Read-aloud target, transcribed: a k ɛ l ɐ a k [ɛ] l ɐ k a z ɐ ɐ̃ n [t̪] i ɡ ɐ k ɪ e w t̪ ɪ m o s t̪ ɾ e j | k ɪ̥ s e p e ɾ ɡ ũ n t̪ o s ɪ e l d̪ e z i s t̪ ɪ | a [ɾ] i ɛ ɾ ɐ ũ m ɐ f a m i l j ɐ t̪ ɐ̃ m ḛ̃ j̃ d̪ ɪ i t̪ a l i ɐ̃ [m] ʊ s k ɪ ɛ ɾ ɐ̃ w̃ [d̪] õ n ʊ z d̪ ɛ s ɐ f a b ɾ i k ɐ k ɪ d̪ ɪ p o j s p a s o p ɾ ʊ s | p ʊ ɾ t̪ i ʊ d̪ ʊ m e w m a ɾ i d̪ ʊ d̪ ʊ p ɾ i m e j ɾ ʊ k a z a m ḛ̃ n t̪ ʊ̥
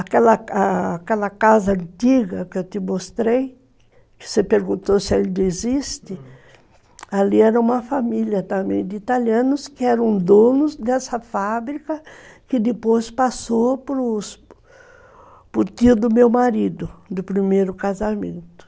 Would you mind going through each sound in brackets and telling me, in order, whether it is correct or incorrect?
correct, correct, incorrect, incorrect, correct

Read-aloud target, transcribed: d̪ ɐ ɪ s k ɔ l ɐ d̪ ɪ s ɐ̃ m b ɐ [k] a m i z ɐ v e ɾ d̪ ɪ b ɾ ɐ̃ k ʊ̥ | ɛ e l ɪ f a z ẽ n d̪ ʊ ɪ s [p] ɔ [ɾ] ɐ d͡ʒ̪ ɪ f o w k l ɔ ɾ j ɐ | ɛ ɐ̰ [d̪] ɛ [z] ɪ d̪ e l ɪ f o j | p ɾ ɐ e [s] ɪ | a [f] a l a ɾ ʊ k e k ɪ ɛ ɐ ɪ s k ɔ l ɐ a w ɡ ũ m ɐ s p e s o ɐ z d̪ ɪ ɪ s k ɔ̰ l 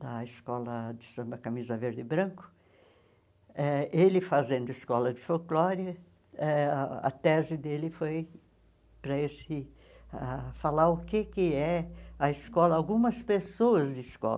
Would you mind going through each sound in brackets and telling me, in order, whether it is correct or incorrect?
correct, incorrect, incorrect, incorrect, correct, correct, correct

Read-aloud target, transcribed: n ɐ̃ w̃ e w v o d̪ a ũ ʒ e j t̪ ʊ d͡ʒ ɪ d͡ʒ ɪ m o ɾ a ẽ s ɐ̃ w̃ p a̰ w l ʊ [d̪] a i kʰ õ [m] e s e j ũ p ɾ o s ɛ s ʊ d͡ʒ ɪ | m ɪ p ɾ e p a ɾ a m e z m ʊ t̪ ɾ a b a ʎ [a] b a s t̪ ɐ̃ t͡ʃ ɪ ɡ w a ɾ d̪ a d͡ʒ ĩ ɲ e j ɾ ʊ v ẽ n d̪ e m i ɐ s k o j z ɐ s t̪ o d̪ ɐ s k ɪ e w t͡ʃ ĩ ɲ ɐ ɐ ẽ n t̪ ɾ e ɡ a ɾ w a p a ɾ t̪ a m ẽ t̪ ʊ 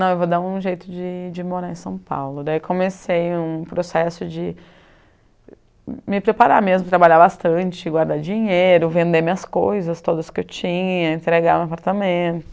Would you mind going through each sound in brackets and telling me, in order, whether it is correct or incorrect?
correct, correct, correct

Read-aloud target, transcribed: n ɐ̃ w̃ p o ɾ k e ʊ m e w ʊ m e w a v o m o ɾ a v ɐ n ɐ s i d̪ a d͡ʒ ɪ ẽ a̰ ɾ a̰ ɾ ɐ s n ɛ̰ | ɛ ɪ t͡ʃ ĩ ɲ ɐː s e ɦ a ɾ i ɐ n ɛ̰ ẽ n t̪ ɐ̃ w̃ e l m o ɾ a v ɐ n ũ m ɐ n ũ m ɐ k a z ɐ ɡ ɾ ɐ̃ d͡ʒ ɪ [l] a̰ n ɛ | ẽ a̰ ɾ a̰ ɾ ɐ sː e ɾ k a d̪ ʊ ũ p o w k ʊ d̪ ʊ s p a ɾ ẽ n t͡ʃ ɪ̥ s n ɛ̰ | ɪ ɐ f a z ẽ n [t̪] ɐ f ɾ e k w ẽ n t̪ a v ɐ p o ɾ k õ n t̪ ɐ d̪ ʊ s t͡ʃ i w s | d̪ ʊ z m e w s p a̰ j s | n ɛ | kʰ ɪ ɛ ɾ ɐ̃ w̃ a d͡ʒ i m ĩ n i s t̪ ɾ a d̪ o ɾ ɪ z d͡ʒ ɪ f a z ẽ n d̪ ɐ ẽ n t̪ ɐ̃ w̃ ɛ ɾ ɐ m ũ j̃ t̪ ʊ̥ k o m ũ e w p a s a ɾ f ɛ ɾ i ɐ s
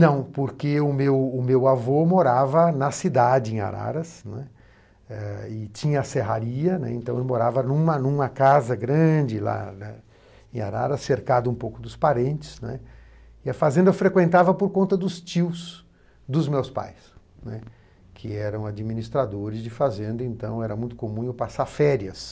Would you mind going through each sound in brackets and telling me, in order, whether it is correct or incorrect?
correct, incorrect

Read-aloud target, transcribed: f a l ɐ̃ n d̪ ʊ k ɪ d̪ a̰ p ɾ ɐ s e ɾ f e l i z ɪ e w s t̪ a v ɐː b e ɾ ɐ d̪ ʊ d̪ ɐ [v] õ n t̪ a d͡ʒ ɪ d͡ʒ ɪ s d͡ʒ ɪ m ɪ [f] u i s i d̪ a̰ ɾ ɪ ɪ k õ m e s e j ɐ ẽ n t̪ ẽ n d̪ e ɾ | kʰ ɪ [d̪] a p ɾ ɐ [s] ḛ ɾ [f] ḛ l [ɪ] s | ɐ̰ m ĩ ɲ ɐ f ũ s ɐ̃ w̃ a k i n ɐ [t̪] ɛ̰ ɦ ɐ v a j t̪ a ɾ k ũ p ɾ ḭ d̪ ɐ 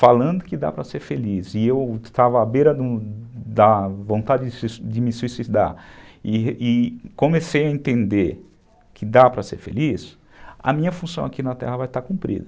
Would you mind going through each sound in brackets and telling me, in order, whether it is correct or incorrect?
correct, incorrect, correct, correct, correct, incorrect, correct

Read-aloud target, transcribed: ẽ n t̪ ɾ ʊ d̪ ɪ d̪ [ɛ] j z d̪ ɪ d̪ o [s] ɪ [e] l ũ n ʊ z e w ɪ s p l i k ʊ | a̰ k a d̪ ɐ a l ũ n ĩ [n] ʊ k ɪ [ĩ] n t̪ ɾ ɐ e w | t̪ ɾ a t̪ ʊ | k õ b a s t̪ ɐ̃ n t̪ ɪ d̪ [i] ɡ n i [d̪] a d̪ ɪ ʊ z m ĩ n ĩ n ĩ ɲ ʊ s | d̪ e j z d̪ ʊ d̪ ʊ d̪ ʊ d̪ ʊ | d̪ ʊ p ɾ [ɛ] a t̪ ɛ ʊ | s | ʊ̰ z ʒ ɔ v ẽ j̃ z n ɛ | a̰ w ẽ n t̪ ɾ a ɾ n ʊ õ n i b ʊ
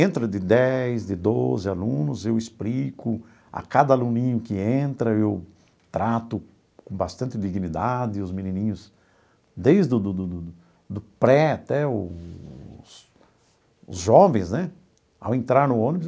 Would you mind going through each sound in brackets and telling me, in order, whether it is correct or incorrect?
correct, incorrect, incorrect, incorrect, incorrect, correct, correct, correct

